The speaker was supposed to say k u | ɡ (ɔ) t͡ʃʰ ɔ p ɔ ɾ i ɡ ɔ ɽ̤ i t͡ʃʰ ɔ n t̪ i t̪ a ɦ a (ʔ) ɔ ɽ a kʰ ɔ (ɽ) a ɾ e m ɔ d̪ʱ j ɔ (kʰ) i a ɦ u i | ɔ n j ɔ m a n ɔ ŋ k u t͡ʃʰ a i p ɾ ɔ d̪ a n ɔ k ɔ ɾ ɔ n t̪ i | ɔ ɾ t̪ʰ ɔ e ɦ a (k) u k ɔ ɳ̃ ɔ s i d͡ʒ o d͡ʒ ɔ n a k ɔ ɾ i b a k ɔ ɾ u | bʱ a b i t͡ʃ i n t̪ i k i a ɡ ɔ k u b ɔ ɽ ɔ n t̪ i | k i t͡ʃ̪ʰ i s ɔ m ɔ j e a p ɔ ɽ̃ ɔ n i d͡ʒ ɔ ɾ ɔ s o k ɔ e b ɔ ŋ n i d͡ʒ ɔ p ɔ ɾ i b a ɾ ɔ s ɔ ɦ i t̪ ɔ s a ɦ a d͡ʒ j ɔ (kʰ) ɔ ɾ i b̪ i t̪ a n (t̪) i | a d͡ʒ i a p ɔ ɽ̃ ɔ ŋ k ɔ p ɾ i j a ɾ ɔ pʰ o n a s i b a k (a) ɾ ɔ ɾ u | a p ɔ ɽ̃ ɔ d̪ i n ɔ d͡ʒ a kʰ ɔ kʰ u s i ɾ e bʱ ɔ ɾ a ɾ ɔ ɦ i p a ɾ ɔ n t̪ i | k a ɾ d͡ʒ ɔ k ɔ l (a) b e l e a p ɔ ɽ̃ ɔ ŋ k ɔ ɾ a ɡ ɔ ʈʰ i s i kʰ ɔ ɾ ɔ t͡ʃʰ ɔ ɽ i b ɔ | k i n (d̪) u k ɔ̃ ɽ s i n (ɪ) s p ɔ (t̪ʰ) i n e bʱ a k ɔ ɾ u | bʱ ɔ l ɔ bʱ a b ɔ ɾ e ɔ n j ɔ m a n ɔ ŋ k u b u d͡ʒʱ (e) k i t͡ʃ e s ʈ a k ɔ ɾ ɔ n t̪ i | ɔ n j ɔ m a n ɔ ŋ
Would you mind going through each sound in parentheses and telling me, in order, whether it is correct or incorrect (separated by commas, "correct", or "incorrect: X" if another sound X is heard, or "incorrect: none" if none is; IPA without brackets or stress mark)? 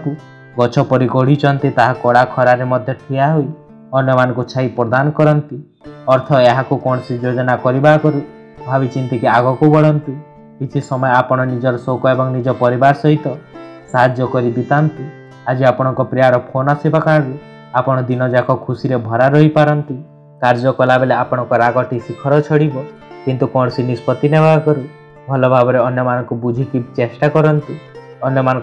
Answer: correct, incorrect: k, incorrect: ɾ, incorrect: ʈʰ, correct, incorrect: k, correct, correct, correct, incorrect: t̪, incorrect: i, incorrect: t̪, incorrect: i